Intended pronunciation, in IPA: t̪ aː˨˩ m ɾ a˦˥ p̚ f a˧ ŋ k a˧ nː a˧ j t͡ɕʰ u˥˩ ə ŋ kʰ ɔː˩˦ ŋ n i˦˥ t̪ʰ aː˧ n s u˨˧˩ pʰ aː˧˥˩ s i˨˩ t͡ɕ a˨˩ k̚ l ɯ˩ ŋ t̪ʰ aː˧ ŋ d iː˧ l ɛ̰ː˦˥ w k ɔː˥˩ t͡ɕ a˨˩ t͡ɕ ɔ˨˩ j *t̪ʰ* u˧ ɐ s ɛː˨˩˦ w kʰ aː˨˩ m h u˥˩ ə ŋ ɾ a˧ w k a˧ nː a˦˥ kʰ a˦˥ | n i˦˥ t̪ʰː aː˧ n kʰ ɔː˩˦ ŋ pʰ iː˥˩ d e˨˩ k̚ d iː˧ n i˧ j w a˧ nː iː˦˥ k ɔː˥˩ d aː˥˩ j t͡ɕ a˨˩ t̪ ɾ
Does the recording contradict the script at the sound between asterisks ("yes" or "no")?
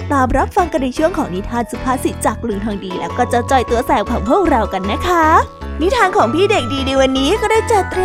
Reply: yes